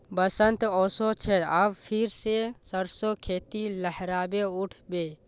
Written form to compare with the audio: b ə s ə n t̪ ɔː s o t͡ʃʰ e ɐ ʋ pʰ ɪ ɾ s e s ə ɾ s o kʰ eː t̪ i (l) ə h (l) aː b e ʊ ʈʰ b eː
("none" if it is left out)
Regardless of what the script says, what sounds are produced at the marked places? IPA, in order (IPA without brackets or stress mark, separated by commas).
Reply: l, ɾ